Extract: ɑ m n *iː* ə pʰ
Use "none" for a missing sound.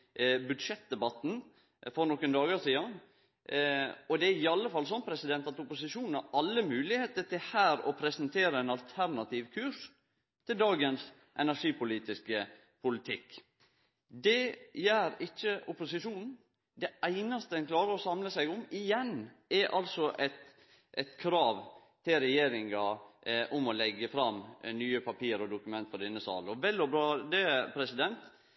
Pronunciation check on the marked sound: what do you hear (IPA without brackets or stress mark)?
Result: yː